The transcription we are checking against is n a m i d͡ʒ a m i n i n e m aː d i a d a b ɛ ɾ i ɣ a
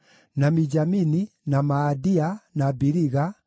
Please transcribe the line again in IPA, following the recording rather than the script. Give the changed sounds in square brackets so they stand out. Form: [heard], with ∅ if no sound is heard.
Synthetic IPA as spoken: n a m i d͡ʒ a m i n i n [a] m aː d i a [n] a b [i] ɾ i ɣ a

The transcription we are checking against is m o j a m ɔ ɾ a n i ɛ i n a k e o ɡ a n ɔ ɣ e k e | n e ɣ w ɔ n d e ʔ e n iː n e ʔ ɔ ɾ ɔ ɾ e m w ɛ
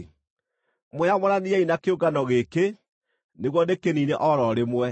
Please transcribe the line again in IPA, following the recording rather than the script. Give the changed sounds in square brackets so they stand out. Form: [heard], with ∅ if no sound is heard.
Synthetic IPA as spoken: m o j a m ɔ ɾ a n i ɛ i n a k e o ɡ a n ɔ ɣ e k e | n e ɣ w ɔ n d e [k] e n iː n e ʔ ɔ ɾ ɔ ɾ e m w ɛ

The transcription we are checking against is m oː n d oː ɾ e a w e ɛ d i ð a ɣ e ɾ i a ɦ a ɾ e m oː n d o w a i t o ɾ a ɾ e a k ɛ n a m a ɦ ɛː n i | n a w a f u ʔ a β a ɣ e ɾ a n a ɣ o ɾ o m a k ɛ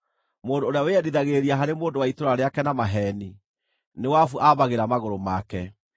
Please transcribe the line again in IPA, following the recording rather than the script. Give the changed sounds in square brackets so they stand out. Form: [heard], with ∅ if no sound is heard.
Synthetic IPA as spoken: m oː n d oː ɾ e a w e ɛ d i ð a ɣ e ɾ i a ɦ a ɾ e m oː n d o w a i t o ɾ a ɾ e a k ɛ n a m a ɦ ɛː n i | n [e] w a f u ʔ a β a ɣ e ɾ a [m] a ɣ o ɾ o m a k ɛ

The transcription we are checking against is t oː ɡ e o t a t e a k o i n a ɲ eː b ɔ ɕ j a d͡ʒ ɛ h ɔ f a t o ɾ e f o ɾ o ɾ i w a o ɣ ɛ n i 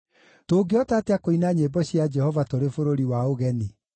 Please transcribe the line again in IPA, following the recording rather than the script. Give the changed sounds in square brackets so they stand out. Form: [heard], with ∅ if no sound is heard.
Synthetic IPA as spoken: t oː ɡ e [ɔ] t a t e a k o i n a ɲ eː b ɔ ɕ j a d͡ʒ ɛ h ɔ [v] a t o ɾ e f o ɾ o ɾ i w a o ɣ ɛ n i

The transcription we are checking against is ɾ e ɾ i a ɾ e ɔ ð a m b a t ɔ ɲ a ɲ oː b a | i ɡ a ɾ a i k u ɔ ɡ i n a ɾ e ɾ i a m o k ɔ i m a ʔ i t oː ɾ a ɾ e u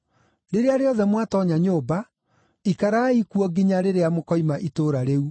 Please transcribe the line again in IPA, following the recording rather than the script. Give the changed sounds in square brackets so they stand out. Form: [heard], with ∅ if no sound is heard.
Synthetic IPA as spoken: ɾ e ɾ [e] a ɾ e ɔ ð [ɛ] m [w] a t ɔ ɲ a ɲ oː b a | i [k] a ɾ a i k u ɔ ɡ i [ɲ] a ɾ e ɾ [e] a m o k ɔ i m a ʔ i t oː ɾ a ɾ e u

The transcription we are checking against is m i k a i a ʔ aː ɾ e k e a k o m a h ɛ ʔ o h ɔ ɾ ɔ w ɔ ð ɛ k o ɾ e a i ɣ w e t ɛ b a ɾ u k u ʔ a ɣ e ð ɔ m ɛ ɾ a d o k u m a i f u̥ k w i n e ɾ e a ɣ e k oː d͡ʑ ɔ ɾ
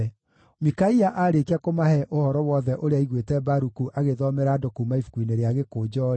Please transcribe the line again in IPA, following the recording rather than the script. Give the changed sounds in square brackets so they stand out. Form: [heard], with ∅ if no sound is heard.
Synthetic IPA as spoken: m i k a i a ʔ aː ɾ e k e a k o m a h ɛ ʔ o h ɔ ɾ ɔ w ɔ ð ɛ [ʔ] o ɾ e a i ɣ w e t ɛ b a ɾ u k u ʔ a ɣ e ð ɔ m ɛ ɾ a d o k u m a i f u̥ k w i n e ɾ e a ɣ e k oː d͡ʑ ɔ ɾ

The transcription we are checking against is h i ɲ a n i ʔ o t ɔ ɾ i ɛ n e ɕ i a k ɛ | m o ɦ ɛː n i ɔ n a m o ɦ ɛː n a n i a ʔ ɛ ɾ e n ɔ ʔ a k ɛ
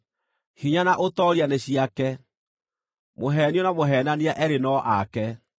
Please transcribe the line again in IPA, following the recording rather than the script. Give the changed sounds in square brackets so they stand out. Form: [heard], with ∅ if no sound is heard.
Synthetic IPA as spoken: h i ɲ a n [a] ʔ o t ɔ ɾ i [a] n e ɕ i a k ɛ | m o ɦ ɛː n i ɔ n a m o ɦ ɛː n a n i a ʔ ɛ ɾ e n ɔ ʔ a k ɛ

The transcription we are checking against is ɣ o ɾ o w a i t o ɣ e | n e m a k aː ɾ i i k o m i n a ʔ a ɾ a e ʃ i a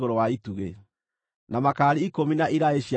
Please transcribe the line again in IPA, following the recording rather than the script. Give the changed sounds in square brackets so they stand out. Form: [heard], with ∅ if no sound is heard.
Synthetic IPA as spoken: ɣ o ɾ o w a i t [u] ɣ e | n [a] m a k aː ɾ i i k o m i n a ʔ [i] ɾ a e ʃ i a

